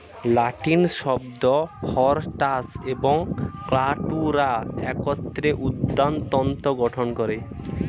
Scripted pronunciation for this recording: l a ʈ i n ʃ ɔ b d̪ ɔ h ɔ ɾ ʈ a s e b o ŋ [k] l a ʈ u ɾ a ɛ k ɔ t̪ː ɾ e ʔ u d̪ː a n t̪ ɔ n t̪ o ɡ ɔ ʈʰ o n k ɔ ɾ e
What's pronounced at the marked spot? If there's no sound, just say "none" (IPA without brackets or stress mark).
k